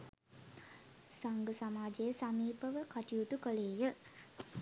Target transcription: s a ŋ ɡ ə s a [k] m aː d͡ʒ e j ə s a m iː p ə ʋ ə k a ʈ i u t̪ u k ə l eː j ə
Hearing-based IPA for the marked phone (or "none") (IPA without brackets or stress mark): none